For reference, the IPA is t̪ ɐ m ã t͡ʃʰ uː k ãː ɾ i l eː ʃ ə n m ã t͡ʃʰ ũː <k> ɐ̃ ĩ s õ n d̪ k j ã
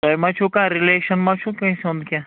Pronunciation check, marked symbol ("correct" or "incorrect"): correct